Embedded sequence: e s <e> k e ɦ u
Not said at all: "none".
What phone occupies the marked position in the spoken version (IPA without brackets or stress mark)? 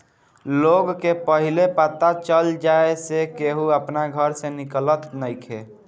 e